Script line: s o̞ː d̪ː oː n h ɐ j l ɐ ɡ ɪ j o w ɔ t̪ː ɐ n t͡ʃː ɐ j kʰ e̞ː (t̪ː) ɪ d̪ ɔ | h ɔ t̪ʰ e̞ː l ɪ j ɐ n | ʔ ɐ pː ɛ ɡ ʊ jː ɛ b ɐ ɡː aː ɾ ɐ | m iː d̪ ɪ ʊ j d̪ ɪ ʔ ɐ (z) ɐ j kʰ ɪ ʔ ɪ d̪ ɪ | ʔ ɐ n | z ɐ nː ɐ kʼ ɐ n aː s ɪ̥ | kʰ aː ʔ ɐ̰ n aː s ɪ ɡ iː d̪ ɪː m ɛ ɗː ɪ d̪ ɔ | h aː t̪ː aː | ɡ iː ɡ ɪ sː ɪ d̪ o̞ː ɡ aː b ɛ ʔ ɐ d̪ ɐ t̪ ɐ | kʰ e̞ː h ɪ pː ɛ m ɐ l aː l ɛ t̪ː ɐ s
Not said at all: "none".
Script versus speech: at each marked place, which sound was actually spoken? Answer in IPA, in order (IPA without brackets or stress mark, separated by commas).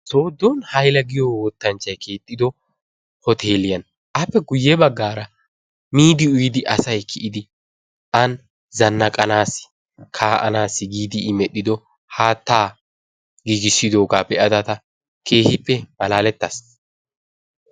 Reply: t̪ʼː, s